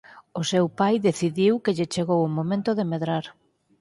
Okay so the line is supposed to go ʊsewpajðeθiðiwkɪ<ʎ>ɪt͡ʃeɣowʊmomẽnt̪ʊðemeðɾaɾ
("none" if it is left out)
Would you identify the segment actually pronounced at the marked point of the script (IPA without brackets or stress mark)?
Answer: ʎ